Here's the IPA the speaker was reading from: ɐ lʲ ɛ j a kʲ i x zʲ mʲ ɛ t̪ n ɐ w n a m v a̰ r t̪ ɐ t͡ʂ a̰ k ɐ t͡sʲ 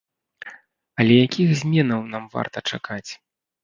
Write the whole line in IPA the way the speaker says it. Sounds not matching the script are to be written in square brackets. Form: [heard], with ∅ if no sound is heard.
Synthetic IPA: ɐ lʲ ɛ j a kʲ i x zʲ mʲ ɛ [∅] n ɐ w n a m v a̰ r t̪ ɐ t͡ʂ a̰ k [a] t͡sʲ